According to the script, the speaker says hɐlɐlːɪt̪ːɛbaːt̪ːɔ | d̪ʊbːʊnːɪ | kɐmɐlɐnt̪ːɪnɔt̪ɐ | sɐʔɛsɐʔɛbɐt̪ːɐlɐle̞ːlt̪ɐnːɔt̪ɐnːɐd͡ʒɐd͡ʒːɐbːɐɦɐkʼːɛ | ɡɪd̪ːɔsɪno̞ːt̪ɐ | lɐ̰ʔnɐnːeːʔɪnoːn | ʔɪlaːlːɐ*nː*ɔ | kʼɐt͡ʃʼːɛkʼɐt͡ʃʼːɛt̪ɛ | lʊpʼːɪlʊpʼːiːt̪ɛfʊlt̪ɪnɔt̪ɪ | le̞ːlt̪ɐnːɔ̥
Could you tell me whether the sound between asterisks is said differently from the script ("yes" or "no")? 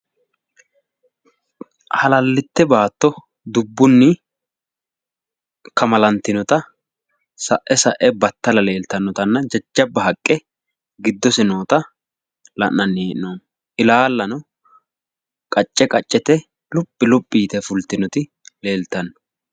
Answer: yes